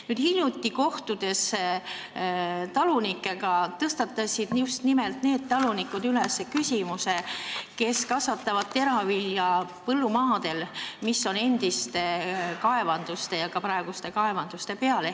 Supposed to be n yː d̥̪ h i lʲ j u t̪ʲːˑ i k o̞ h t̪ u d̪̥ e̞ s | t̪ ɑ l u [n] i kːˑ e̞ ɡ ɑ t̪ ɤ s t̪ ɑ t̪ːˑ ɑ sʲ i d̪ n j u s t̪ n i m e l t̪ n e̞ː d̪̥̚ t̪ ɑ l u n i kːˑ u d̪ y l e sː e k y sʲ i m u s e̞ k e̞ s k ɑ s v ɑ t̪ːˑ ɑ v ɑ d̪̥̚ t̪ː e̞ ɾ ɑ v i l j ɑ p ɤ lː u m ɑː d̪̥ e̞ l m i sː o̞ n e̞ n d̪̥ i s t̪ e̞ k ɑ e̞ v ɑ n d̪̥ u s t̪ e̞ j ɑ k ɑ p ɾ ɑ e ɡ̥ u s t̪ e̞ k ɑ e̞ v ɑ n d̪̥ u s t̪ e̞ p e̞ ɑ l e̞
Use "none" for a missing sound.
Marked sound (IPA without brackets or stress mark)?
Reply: n